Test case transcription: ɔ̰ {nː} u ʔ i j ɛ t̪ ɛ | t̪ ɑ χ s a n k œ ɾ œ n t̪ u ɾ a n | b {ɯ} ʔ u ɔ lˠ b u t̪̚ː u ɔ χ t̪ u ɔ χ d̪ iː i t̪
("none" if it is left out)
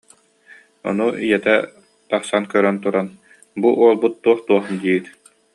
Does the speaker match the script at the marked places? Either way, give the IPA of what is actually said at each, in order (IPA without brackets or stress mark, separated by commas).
n, u